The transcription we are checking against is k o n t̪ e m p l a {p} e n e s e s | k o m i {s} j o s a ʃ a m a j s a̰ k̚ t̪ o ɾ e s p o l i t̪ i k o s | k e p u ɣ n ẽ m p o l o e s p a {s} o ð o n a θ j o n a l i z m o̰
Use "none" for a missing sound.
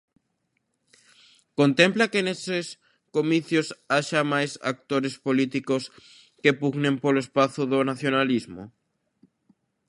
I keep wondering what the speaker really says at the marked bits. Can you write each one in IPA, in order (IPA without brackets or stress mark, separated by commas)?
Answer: k, θ, θ